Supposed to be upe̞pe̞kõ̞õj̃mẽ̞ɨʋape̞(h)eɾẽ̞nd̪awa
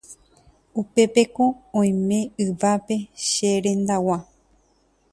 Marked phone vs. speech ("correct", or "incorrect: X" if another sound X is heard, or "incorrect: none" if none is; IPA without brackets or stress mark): incorrect: ʃ